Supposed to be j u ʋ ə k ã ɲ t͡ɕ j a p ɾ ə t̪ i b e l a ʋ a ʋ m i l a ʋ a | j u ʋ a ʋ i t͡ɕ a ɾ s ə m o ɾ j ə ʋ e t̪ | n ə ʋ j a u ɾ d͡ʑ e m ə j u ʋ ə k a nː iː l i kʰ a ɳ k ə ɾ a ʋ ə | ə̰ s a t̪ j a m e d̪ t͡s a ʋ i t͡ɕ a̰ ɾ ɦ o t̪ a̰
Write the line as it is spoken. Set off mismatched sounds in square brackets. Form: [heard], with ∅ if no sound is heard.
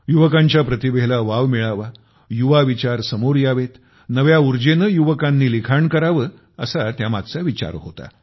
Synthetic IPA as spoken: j u ʋ ə k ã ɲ t͡ɕ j a p ɾ ə t̪ i b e l a ʋ a ʋ m i [ɭ] a ʋ a | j u ʋ a ʋ i t͡ɕ a ɾ s ə m o ɾ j [a] ʋ e t̪ | n ə ʋ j a u ɾ d͡ʑ e [n] ə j u ʋ ə k a nː iː l i kʰ a ɳ k ə ɾ a ʋ ə | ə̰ s a t̪ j a m [a] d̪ t͡s a ʋ i t͡ɕ a̰ ɾ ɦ o t̪ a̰